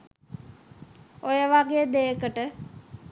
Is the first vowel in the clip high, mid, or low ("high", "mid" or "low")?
mid